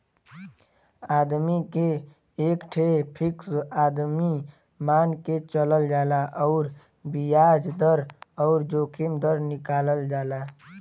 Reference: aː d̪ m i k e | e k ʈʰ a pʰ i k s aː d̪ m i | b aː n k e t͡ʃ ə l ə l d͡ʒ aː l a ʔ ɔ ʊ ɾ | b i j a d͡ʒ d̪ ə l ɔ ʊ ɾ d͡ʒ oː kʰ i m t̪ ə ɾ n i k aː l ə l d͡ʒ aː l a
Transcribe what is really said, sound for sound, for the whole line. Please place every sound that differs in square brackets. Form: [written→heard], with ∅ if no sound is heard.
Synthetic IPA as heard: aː d̪ m i k e | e k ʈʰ [a→e] pʰ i k s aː d̪ m i | [b→m] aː n k e t͡ʃ ə l ə l d͡ʒ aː l a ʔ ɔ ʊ ɾ | b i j a d͡ʒ d̪ ə [l→ɾ] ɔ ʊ ɾ d͡ʒ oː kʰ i m [t̪→d̪] ə ɾ n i k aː l ə l d͡ʒ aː l a